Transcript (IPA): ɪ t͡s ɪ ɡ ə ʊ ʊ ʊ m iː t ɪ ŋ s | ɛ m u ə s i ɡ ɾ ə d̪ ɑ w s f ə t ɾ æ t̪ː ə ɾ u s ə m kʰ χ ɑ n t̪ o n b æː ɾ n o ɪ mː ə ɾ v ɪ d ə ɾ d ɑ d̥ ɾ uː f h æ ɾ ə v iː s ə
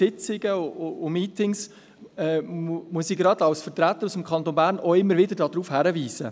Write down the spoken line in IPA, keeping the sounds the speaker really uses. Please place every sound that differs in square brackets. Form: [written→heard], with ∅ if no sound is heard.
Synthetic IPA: ɪ t͡s ɪ ɡ ə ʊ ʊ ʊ m iː t ɪ ŋ s | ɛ m u ə s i ɡ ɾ [ə→ɑ] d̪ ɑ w s f ə t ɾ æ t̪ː ə ɾ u s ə m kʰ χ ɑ n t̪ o n b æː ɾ n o ɪ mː ə ɾ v ɪ d ə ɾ d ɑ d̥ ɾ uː f h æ ɾ ə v iː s ə